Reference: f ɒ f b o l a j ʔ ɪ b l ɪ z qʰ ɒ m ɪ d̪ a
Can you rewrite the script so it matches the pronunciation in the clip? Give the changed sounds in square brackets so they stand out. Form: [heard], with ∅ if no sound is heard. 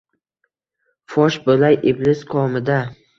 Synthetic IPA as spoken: f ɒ [ʃ] b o l a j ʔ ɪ b l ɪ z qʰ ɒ m ɪ d̪ a